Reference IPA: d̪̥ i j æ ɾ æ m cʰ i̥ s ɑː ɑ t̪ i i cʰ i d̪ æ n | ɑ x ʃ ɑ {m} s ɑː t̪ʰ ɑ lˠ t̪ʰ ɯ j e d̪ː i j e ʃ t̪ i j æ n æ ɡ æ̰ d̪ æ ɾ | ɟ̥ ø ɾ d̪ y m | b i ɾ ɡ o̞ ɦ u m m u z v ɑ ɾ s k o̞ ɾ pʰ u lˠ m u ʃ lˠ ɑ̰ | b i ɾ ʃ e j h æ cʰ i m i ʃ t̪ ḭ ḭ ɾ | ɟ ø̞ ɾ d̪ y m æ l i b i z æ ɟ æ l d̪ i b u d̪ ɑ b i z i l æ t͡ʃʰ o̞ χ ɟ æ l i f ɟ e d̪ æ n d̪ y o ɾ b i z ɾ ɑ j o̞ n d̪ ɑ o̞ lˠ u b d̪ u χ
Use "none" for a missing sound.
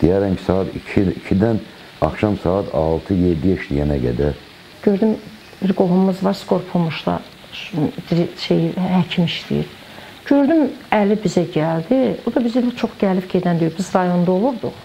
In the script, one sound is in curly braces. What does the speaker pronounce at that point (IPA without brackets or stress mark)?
m